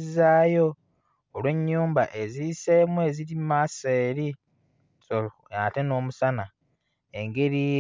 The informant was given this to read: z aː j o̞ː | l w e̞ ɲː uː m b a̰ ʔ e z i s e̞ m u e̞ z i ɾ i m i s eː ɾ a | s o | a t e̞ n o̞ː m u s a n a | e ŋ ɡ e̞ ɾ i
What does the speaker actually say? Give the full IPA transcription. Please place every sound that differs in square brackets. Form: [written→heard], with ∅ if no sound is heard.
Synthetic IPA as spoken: z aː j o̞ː | l w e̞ ɲː uː m b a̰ ʔ e z i s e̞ m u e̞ z i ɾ i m [i→a] s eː ɾ [a→i] | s o | a t e̞ n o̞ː m u s a n a | e ŋ ɡ e̞ ɾ i